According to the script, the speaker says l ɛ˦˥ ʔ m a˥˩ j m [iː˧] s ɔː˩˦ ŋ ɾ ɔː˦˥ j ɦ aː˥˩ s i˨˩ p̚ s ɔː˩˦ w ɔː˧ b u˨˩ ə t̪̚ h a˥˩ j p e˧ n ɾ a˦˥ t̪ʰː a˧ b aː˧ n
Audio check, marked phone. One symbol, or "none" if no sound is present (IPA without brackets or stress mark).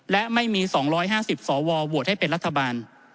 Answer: iː˧